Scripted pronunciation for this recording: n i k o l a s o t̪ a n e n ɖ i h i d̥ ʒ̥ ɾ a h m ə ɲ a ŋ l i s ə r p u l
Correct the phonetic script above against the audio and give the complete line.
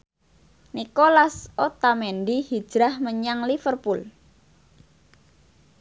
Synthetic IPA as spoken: n i k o l a s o t̪ a m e n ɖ i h i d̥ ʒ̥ ɾ a h m ə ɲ a ŋ l i f ə r p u l